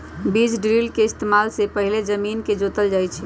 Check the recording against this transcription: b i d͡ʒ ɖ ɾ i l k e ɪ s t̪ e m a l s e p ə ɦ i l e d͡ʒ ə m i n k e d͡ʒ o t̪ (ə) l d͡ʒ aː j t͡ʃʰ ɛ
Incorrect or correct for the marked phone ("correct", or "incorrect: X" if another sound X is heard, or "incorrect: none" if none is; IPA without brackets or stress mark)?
correct